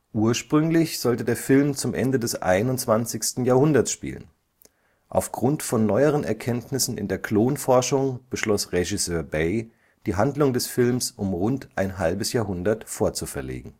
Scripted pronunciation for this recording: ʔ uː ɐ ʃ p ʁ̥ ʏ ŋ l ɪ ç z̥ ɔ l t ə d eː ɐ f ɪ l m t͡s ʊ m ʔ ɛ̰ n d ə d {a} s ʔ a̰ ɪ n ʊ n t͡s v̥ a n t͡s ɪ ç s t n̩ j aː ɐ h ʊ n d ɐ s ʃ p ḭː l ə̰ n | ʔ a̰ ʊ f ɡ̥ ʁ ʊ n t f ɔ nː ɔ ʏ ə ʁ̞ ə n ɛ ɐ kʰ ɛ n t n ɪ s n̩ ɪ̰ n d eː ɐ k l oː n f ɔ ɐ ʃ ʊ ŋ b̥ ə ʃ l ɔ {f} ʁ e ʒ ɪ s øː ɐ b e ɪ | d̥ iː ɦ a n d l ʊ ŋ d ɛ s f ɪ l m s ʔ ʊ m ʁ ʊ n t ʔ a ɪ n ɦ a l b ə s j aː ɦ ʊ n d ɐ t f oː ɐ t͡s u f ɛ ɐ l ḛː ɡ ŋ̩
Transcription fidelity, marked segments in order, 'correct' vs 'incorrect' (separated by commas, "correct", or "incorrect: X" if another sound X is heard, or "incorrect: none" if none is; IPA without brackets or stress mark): incorrect: ɛ, incorrect: s